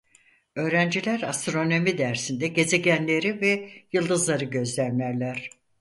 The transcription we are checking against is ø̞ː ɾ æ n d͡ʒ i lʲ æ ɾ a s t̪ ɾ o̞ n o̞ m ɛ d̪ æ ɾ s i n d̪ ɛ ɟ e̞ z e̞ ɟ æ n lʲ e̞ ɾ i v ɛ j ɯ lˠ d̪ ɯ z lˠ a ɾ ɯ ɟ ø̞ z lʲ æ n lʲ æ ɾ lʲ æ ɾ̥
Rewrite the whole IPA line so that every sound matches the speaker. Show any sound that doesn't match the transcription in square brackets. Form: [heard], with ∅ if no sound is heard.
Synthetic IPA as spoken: ø̞ː ɾ æ n d͡ʒ i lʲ æ ɾ a s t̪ ɾ o̞ n o̞ m [i] d̪ æ ɾ s i n d̪ ɛ ɟ e̞ z e̞ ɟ æ n lʲ e̞ ɾ i v ɛ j ɯ lˠ d̪ ɯ z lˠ a ɾ ɯ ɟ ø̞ z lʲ æ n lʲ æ ɾ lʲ æ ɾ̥

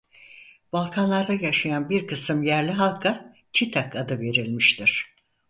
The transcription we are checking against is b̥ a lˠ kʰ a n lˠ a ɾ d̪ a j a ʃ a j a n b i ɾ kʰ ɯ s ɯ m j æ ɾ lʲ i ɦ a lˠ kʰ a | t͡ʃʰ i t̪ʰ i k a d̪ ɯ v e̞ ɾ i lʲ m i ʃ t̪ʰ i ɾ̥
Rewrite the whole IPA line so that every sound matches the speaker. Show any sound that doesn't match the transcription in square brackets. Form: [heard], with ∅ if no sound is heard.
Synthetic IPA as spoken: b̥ a lˠ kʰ a n lˠ a ɾ d̪ a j a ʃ a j a n b i ɾ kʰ ɯ s ɯ m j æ ɾ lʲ i ɦ a lˠ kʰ a | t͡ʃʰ i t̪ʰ [a] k a d̪ ɯ v e̞ ɾ i lʲ m i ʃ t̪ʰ i ɾ̥

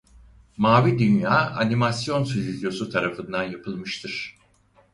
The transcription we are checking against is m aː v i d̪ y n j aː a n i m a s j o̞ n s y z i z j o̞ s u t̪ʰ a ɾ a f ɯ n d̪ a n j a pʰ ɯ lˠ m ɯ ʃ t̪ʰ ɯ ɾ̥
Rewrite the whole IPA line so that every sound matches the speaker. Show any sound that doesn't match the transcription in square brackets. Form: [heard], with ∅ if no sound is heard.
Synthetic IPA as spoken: m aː v i d̪ y n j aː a n i m a s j o̞ n s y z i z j o̞ s u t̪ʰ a ɾ a f ɯ n d̪ a n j a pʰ ɯ lˠ m ɯ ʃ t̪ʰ ɯ ɾ̥

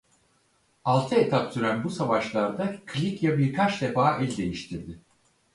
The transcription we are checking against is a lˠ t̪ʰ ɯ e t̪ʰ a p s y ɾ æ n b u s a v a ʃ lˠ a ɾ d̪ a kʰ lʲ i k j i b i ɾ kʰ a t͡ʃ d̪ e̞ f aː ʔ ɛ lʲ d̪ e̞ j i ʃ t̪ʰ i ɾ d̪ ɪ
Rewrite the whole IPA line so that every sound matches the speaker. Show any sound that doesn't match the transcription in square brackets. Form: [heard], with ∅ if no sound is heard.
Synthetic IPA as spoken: a lˠ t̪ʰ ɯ e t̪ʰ a p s y ɾ æ n b u s a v a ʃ lˠ a ɾ d̪ a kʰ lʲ i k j [a] b i ɾ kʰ a t͡ʃ d̪ e̞ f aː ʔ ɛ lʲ d̪ e̞ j i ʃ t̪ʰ i ɾ d̪ ɪ

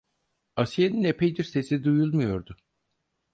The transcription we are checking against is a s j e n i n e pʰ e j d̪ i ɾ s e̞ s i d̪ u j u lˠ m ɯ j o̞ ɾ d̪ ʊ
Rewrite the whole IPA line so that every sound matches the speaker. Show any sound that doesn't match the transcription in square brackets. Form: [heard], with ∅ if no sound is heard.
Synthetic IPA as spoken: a s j e n i n e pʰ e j d̪ i ɾ s e̞ s i d̪ u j u lˠ m [u] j o̞ ɾ d̪ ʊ

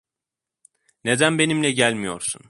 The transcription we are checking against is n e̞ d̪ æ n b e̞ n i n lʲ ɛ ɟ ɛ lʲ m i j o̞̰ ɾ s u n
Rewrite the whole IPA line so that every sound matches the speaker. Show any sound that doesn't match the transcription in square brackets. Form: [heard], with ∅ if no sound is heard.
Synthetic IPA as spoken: n e̞ d̪ æ n b e̞ n i [m] lʲ ɛ ɟ [æ] lʲ m i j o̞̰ ɾ s u n

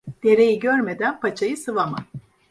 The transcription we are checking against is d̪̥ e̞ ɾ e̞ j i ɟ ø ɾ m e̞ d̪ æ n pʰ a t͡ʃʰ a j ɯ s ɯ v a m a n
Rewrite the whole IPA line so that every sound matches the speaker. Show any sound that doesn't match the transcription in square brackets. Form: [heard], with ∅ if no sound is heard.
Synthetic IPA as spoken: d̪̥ e̞ ɾ e̞ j i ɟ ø ɾ m e̞ d̪ æ n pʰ a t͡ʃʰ a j ɯ s ɯ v a m a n

